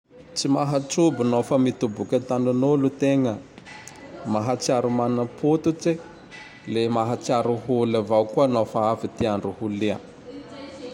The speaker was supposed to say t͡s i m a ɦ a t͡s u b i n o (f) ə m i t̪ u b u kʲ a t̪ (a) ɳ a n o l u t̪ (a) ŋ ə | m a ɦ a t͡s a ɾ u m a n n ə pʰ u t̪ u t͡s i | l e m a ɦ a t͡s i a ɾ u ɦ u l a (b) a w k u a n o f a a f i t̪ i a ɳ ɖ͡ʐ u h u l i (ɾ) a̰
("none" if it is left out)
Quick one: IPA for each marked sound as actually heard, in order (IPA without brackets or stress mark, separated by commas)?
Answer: f, a, e, v, none